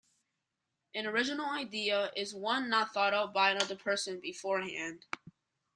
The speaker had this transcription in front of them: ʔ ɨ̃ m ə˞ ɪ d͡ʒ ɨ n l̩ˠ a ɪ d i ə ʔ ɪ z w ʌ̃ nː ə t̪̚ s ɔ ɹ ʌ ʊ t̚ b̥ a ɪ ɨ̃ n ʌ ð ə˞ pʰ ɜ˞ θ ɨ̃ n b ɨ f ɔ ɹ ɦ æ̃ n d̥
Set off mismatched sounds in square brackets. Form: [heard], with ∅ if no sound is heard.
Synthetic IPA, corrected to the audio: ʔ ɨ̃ [n] ə˞ ɪ d͡ʒ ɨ n l̩ˠ a ɪ d i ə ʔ ɪ z w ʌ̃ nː ə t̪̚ [θ] ɔ [ɾ] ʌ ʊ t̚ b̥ a ɪ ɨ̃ n ʌ ð ə˞ pʰ ɜ˞ [s] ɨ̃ n b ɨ f ɔ ɹ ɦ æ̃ n d̥